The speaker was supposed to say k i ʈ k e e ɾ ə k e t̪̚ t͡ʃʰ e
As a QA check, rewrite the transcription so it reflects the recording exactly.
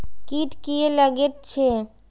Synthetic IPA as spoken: k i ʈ k i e l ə ɡ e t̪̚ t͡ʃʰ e